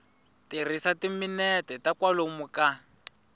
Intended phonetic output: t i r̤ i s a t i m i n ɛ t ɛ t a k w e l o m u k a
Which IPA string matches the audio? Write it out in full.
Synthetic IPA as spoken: t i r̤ i s a t i m i n ɛ t ɛ t a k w a l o m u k a

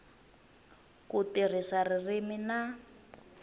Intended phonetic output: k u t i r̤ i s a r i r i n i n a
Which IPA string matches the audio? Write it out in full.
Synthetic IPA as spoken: k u t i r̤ i s a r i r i m i n a

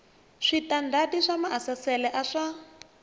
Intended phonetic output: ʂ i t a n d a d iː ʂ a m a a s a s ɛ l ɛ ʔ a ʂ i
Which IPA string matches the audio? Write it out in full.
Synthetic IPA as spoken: ʂ i t a n d a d i ʂ a m a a s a s ɛ l ɛ ʔ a ʂ a

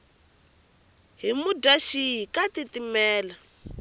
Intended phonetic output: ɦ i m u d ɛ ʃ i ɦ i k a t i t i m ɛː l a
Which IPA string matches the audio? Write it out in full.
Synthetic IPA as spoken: ɦ i m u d a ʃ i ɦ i k a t i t i m ɛː l a

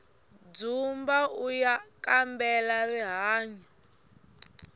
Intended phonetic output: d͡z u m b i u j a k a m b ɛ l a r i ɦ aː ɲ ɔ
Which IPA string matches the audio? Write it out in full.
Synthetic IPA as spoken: d͡z u m b a u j a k a m b ɛ l a r i ɦ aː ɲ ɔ

